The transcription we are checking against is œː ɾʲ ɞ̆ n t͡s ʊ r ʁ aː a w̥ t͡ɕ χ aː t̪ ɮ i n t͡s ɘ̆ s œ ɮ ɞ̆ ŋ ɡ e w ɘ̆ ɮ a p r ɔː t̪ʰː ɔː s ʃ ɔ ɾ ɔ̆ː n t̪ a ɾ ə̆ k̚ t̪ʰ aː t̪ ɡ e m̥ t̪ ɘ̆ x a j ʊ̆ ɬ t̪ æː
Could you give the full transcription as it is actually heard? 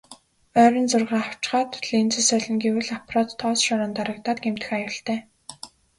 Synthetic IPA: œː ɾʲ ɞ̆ n t͡s ʊ r ʁ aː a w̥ t͡ɕ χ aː t̪ ɮ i n t͡s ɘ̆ s œ ɮ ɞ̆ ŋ ɡ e w ɘ̆ ɮ a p r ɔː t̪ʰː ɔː s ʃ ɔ ɾ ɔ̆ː n t̪ a ɾ ə̆ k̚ t̪ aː t̪ ɡ e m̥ t̪ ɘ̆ x a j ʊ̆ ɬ t̪ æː